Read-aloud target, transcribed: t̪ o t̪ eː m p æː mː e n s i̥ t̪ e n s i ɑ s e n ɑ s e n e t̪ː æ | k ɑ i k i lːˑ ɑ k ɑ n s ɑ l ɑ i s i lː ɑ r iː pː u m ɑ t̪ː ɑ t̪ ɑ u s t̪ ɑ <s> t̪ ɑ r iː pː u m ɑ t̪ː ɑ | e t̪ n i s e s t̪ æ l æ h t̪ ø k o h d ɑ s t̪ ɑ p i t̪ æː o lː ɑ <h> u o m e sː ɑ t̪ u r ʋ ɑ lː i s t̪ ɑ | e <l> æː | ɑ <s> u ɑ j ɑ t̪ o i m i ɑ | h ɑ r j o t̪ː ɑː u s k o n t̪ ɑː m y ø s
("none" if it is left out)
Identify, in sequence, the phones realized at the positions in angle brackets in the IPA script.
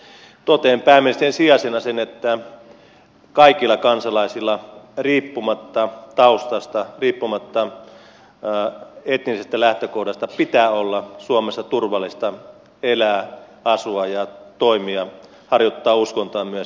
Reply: s, s, l, s

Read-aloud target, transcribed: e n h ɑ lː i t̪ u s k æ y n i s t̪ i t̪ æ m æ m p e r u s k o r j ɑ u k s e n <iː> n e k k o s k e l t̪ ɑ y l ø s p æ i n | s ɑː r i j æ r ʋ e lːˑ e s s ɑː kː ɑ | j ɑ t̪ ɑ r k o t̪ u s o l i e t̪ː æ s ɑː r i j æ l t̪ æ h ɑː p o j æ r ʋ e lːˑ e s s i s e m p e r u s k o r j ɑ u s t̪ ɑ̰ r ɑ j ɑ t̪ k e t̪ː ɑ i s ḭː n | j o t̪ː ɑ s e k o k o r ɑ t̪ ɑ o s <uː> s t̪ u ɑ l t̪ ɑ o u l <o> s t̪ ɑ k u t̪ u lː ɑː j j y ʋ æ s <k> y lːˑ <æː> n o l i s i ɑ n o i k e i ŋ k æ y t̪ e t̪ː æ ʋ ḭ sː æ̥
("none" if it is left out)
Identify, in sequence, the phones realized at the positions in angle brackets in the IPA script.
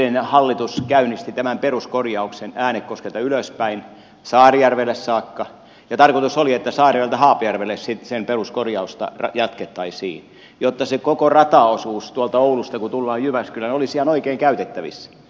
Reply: æː, uː, u, k, æ

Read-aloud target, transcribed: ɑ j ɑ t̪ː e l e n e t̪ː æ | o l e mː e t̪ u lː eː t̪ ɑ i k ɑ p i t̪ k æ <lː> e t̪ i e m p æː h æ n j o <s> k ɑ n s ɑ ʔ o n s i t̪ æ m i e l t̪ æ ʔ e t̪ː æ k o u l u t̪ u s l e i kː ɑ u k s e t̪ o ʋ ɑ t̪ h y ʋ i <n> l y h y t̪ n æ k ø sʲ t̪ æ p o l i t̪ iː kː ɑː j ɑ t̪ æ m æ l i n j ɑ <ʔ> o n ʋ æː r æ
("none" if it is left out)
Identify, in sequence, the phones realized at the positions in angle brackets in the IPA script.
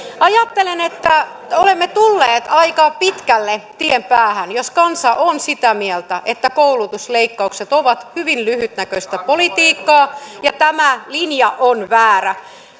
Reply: lː, s, n, ʔ

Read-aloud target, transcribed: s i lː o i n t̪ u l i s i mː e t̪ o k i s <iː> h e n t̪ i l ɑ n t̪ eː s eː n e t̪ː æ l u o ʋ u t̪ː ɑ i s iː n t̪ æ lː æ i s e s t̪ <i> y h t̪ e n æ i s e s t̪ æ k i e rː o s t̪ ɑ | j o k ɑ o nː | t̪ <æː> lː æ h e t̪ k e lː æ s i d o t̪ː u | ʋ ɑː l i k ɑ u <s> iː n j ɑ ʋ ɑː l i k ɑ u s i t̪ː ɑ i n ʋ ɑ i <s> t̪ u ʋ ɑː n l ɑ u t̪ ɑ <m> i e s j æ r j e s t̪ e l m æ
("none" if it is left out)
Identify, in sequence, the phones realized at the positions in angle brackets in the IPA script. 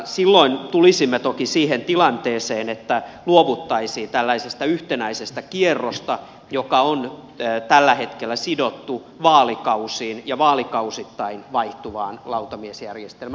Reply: iː, æ, æ, s, h, m

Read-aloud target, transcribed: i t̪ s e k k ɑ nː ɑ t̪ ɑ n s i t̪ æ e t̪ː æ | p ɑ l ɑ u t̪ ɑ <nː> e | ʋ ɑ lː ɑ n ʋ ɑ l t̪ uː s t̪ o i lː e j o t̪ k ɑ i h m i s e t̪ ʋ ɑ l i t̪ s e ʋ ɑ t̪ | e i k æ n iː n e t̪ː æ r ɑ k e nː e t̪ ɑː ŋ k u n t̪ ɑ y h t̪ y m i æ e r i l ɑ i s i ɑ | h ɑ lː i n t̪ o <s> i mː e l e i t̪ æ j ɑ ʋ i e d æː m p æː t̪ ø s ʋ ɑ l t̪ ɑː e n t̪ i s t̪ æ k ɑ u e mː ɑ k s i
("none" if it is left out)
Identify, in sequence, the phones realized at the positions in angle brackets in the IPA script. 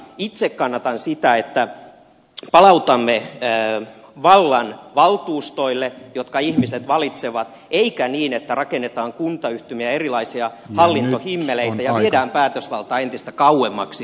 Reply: mː, h

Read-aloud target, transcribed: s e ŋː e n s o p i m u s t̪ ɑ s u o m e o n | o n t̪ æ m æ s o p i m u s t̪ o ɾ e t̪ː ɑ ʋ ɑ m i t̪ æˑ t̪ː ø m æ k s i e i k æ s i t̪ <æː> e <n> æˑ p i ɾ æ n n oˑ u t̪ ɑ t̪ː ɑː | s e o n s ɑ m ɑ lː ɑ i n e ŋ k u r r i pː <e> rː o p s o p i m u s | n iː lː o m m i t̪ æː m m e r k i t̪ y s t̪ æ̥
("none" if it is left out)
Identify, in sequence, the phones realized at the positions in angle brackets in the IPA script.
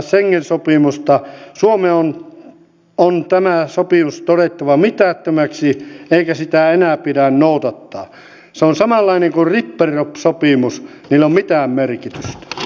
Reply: æ, n, e

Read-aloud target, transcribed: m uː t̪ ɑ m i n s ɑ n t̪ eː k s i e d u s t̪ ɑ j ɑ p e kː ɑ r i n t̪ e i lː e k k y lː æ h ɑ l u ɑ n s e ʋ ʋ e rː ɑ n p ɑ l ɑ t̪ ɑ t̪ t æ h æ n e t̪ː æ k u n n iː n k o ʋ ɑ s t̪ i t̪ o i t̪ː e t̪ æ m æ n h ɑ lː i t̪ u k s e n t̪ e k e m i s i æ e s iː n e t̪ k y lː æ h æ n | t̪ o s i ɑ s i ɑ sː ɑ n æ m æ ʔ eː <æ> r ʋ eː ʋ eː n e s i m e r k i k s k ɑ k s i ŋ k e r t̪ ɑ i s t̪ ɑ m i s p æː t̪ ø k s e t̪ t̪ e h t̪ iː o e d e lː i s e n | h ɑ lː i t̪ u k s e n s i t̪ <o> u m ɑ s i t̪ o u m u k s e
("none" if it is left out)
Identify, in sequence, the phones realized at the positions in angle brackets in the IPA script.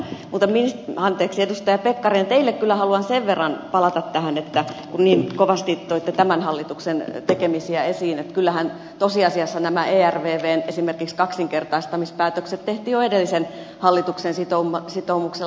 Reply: æ, o

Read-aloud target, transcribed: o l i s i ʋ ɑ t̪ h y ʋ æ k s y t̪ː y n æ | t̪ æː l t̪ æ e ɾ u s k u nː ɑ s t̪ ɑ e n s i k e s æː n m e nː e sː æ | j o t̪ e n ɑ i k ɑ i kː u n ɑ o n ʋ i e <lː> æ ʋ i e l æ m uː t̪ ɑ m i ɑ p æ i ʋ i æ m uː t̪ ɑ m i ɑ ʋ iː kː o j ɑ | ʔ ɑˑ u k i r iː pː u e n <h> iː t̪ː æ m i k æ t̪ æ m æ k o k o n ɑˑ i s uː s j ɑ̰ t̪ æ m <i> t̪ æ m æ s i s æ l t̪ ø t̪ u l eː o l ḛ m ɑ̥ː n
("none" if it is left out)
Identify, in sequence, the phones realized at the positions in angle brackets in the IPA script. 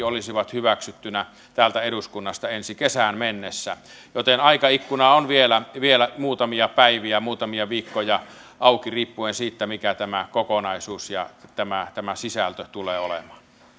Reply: l, s, æ

